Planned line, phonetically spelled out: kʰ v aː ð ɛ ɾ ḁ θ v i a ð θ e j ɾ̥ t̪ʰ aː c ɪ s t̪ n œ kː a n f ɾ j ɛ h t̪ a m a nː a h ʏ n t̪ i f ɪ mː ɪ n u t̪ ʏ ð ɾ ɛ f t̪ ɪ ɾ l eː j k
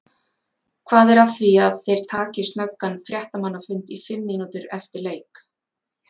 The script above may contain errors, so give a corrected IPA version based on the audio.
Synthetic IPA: kʰ v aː ð ɛ ɾ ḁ θ v i a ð θ e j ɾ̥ t̪ʰ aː c ɪ s t̪ n œ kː a n f ɾ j ɛ h t̪ a m a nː a f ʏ n t̪ i f ɪ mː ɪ n u t̪ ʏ ɾ ɛ f t̪ ɪ ɾ l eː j k

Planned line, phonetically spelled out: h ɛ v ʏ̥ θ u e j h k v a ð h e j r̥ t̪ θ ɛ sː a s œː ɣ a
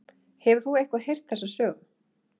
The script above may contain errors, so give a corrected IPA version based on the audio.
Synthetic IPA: h ɛ v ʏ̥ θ u e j h k v a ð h e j r̥ t̪ θ ɛ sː a s œː ɣ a

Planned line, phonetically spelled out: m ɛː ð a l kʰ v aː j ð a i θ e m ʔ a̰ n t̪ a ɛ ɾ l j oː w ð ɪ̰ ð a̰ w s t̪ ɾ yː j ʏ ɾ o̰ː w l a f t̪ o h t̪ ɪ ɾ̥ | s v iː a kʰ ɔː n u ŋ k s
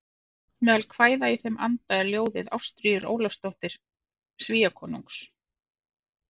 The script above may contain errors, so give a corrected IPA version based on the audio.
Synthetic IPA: m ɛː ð a l kʰ v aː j ð a i θ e m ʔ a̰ n t̪ a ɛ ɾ l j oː w ð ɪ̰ ð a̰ w s t̪ ɾ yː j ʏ ɾ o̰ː w l a s t̪ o h t̪ ɪ ɾ̥ | s v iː a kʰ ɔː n u ŋ k s

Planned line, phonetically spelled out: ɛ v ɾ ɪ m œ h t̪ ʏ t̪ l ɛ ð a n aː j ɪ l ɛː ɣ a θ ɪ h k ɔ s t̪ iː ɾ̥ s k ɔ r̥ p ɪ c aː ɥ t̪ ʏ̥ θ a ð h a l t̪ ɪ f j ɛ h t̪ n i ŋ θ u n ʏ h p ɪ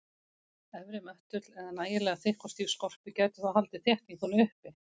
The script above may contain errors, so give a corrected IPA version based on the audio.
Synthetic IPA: ɛ v ɾ ɪ m œ h t̪ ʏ t̪ l ɛ ð a n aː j ɪ l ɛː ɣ a θ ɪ h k ɔ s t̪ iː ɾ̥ s k ɔ r̥ p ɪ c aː ɥ t̪ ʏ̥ θ a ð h a l t̪ ɪ θ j ɛ h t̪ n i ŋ θ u n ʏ h p ɪ

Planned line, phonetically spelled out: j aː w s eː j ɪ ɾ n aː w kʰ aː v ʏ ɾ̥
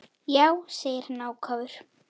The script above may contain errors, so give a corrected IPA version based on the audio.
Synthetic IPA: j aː w s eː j ɪ ɾ n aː w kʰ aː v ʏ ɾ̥

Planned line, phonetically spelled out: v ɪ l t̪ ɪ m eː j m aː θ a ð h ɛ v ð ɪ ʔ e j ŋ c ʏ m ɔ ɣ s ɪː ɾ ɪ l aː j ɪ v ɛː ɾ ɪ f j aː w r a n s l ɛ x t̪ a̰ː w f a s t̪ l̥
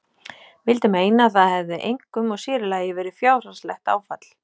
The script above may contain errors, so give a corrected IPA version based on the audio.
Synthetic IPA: v ɪ l t̪ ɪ m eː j n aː θ a ð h ɛ v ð ɪ ʔ e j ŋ k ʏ m ɔ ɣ s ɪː ɾ ɪ l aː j ɪ v ɛː ɾ ɪ f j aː w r a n s l ɛ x t̪ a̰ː w f a t̪ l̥

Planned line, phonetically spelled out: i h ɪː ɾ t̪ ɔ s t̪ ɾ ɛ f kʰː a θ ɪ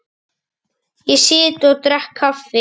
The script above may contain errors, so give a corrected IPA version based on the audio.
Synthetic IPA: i s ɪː t̪ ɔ t̪ ɾ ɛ h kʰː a f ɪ

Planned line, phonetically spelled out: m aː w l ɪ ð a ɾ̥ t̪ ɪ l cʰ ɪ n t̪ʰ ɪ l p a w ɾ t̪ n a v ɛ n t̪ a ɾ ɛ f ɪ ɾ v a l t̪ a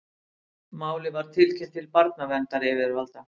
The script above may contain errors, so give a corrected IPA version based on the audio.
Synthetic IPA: m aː w l ɪ v a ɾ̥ t̪ʰ ɪ l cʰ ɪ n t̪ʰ ɪ l p a ɾ t̪ n a v ɛ n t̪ a ɾ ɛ v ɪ ɾ v a l t̪ a

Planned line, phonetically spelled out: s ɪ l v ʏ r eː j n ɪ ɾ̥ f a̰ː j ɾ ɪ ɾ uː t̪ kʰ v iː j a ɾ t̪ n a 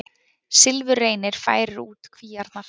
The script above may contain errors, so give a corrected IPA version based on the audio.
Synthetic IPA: s ɪ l v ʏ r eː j n ɪ ɾ̥ f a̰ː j ɾ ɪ ɾ uː t̪ kʰ v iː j a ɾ t̪ n a

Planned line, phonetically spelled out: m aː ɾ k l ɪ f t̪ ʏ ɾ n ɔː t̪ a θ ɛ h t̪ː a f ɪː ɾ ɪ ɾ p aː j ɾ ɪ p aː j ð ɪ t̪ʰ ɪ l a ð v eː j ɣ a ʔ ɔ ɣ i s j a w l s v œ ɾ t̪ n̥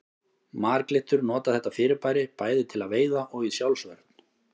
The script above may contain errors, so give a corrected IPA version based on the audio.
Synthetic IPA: m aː ɾ k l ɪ h t̪ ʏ ɾ n ɔː t̪ a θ ɛ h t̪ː a f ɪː ɾ ɪ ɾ p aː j ɾ ɪ p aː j ð ɪ t̪ʰ ɪ l a ð v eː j ð a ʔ ɔ ɣ i s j a w l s v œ ɾ t̪ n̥

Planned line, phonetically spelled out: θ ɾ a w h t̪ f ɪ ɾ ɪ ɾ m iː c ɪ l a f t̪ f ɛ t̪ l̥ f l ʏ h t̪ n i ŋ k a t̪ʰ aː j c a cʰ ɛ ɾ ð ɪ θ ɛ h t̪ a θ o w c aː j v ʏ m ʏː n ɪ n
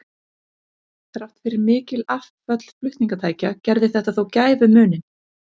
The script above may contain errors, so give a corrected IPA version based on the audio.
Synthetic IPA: θ ɾ a w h t̪ f ɪ ɾ ɪ ɾ m ɪː c ɪ l a f t̪ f œ t̪ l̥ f l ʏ h t̪ n i ŋ k a t̪ʰ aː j c a c ɛ ɾ ð ɪ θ ɛ h t̪ a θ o w c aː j v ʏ m ʏː n ɪ n

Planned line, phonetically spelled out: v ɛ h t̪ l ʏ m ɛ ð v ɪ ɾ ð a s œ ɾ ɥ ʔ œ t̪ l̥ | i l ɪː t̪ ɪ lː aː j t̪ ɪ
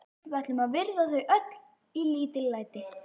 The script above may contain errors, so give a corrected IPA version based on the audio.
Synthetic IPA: v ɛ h t̪ l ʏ m a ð v ɪ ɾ ð a θ œ ɥ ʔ œ t̪ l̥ | i l iː t̪ ɪ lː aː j t̪ ɪ

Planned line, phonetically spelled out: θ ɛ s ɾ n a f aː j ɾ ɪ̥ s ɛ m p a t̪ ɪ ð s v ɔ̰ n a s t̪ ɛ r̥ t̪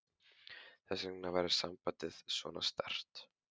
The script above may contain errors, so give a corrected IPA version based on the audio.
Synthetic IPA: θ ɛ s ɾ n a v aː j ɾ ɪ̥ s a m p a t̪ ɪ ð s v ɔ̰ n a s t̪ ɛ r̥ t̪

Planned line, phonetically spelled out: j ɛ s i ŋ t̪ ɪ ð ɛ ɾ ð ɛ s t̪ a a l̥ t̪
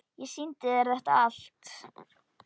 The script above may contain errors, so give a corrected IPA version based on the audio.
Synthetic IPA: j ɛ s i n t̪ ɪ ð ɛ ɾ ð ɛ h t̪ a a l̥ t̪

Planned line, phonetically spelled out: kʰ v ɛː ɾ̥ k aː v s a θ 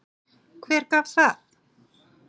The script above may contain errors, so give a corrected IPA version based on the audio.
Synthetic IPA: kʰ v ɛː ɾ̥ k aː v θ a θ

